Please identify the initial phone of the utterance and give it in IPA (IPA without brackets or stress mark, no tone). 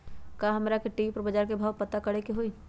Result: k